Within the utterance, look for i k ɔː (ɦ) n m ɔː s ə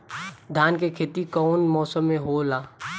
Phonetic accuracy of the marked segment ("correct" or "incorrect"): incorrect